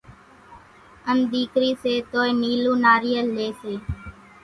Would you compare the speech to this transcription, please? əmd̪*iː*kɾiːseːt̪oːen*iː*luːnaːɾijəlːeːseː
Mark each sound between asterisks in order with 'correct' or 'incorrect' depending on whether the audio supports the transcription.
correct, correct

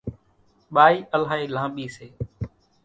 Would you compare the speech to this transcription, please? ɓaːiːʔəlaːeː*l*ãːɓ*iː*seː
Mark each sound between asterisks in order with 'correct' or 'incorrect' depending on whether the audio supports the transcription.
correct, correct

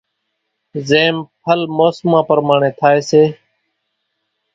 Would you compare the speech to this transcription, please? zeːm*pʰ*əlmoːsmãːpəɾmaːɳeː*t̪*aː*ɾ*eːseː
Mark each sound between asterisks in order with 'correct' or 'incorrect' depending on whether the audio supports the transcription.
correct, incorrect: t̪ʰ, incorrect: none

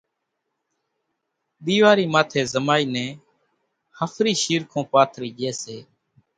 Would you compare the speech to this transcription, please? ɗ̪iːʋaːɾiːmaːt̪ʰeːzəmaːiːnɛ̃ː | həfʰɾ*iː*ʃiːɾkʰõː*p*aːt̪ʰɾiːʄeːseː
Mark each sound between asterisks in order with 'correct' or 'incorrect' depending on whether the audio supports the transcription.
correct, correct

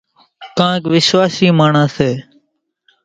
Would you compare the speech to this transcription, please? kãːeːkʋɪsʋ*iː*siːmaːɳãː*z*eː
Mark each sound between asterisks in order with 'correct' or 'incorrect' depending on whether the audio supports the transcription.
incorrect: aː, incorrect: s

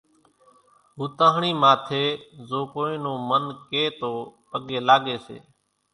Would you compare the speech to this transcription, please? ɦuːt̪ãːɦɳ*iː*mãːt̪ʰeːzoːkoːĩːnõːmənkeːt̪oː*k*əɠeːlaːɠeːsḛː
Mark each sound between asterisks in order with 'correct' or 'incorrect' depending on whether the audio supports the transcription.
correct, incorrect: p

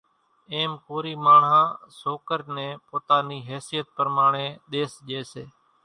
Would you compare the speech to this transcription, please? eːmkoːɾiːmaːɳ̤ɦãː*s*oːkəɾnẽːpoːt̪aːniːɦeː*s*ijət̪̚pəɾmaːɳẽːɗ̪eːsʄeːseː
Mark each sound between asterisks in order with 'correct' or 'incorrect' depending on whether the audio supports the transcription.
correct, correct

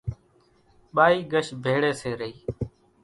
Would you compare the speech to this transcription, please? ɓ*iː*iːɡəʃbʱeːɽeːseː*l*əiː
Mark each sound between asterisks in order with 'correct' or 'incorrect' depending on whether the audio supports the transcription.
incorrect: aː, incorrect: ɾ

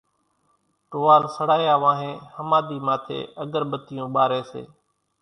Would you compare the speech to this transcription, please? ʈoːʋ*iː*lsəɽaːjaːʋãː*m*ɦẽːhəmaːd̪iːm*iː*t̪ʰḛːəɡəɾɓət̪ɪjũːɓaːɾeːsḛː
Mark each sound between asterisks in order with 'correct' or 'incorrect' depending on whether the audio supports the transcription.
incorrect: aː, incorrect: none, incorrect: aː

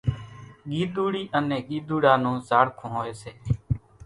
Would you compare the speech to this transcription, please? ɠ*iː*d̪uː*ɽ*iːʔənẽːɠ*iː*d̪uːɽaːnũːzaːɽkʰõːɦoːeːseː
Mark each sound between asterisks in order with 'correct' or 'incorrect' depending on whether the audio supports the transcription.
correct, correct, correct

